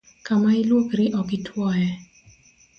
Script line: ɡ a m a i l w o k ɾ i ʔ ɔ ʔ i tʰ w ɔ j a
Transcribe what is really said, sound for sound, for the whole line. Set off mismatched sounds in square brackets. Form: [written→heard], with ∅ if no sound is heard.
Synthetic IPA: [ɡ→k] a m a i l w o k ɾ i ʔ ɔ [ʔ→k] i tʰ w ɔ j [a→ɛ]